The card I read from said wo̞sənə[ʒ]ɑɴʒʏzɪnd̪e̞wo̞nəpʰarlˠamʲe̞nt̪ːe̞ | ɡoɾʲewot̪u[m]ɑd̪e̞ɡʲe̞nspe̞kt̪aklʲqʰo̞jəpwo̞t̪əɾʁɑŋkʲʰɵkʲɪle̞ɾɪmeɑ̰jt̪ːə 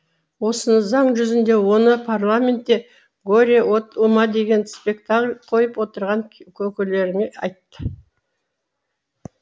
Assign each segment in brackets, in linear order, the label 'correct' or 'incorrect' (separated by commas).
incorrect, correct